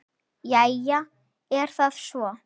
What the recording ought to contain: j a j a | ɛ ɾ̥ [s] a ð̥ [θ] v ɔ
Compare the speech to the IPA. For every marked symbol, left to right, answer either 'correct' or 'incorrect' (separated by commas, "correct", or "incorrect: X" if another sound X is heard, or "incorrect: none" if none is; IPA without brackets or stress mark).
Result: incorrect: θ, incorrect: s